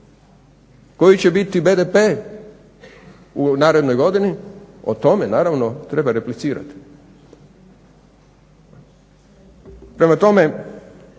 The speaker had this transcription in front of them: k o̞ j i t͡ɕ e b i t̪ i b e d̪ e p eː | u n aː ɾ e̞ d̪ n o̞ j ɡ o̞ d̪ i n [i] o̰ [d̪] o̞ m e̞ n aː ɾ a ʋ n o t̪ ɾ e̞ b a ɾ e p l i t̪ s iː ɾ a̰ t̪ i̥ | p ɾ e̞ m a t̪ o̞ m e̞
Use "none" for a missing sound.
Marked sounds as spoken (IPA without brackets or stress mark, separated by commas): i, t̪